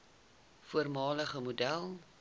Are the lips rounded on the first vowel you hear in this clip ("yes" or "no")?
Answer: yes